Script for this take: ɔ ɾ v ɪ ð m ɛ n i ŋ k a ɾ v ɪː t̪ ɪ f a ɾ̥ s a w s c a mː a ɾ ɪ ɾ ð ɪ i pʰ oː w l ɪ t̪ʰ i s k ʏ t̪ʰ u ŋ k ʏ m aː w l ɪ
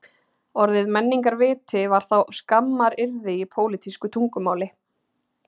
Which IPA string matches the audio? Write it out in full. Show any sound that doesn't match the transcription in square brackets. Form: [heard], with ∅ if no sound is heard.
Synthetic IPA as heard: ɔ ɾ [ð] ɪ ð m ɛ [nː] i ŋ k a ɾ v ɪː t̪ ɪ [v] a ɾ̥ [θ] a w s [k] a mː a ɾ ɪ ɾ ð ɪ i pʰ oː w l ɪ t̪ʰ i s k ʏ t̪ʰ u ŋ k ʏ m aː w l ɪ